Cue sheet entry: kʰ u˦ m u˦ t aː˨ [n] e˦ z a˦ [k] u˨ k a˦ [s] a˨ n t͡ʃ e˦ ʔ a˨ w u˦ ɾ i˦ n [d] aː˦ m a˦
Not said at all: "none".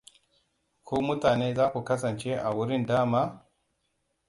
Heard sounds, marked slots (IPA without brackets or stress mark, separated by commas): n, k, s, d